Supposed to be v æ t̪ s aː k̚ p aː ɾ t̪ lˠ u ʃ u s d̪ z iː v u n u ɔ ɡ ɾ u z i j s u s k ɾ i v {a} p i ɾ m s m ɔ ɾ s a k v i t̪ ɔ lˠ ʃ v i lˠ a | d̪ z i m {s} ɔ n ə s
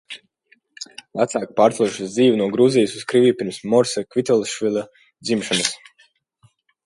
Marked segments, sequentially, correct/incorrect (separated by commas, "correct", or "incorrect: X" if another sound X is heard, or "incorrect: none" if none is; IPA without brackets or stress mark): incorrect: i, incorrect: ʃ